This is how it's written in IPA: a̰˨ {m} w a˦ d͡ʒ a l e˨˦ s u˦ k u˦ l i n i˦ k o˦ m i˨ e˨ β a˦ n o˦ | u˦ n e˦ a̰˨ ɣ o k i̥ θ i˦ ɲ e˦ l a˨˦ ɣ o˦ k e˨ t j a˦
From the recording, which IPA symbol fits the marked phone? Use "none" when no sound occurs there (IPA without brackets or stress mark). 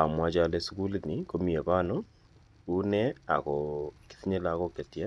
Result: m